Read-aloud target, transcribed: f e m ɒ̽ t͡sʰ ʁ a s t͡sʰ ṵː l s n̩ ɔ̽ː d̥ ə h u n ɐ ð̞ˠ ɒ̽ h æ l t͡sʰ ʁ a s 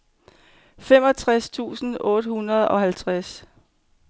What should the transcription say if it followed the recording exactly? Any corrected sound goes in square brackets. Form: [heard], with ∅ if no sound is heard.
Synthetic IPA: f e m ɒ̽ t͡sʰ ʁ a s t͡sʰ ṵː [∅] s n̩ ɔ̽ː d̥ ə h u n ɐ ð̞ˠ ɒ̽ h æ l t͡sʰ ʁ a s